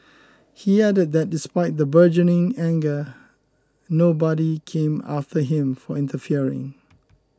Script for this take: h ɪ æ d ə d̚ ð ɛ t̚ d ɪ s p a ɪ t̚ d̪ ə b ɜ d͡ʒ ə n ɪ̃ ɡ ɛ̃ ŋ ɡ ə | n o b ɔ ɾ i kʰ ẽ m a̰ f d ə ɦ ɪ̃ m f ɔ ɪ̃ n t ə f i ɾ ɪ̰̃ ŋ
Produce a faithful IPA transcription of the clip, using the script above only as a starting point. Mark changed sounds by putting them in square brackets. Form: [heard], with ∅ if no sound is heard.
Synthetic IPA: h [i] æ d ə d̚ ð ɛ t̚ d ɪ s p a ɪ t̚ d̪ ə b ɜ d͡ʒ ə n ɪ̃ [ŋ] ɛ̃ ŋ ɡ ə | n o b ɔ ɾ i kʰ ẽ m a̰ f [t] ə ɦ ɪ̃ m f ɔ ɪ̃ n t ə f i [ɹ] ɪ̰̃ ŋ